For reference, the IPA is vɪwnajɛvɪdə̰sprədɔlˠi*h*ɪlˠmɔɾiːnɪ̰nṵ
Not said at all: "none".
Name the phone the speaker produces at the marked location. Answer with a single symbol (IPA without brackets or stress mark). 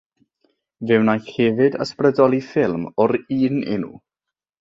f